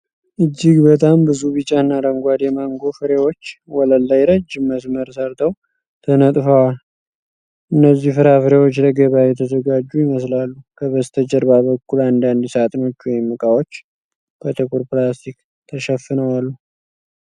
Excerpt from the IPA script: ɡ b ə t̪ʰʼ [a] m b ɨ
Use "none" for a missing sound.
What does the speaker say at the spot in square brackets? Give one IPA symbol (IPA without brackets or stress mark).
a